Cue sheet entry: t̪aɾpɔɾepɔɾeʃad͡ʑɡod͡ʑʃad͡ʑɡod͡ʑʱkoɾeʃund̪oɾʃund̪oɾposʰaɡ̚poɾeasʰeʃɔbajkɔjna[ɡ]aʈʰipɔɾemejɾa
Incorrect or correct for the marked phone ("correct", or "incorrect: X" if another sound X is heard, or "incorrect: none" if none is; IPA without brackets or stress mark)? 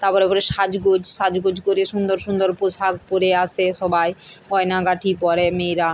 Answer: correct